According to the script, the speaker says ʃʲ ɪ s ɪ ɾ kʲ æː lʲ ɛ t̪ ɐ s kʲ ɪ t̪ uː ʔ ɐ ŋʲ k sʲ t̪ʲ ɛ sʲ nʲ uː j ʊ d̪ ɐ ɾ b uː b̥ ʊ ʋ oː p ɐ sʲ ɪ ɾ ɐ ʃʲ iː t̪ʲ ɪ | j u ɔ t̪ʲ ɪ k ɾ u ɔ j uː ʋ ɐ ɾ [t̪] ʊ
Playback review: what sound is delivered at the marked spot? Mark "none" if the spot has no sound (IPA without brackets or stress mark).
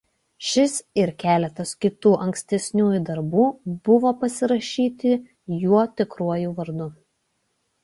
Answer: d̪